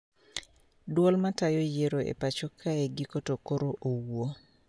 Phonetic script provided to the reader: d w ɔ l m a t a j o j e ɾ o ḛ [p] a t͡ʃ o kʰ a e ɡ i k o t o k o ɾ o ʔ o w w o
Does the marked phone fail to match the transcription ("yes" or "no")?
no